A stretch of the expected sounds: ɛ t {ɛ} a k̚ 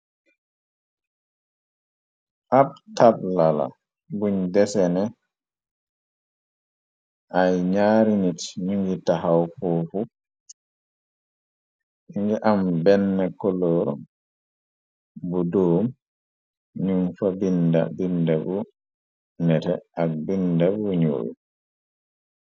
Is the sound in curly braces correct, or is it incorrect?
correct